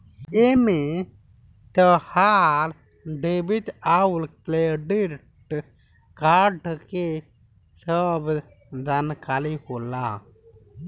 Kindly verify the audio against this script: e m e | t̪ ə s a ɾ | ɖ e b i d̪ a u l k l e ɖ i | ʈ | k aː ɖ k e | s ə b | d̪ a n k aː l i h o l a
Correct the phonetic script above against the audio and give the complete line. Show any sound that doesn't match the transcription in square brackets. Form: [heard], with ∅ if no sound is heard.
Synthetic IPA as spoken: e m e | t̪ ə [h] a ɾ | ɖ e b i [t̪] a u l k l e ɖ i | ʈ | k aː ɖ k e | s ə b | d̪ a n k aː l i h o l a